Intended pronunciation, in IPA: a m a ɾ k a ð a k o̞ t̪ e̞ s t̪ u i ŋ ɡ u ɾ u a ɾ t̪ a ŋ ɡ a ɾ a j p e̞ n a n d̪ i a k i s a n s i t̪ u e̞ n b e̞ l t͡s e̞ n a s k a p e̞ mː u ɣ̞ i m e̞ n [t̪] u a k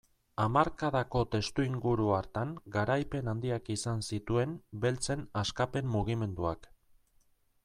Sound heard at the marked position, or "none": d̪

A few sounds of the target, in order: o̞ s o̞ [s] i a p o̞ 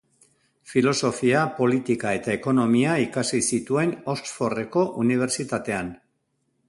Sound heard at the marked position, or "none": f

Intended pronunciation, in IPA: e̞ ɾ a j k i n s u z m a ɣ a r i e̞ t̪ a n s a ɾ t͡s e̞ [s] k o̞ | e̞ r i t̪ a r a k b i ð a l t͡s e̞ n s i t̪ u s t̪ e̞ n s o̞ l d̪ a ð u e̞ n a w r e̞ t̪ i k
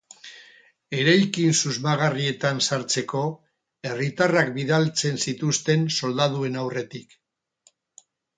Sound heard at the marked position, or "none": none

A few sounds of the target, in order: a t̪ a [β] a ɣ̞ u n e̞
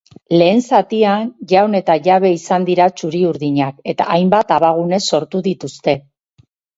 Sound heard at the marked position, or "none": β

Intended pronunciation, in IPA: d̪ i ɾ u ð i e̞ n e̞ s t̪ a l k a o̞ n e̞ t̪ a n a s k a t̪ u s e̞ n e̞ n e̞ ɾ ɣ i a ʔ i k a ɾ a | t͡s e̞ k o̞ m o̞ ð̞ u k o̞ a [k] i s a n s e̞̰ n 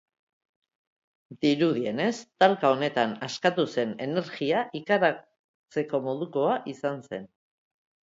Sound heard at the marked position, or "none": ʔ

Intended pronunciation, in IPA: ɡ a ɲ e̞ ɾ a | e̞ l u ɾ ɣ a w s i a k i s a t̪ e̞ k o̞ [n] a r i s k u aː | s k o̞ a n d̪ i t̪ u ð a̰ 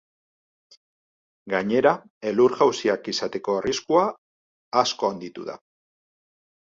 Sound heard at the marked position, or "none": none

